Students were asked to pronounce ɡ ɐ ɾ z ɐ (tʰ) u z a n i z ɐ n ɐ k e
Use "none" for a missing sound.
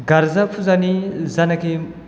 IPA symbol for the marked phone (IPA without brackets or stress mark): pʰ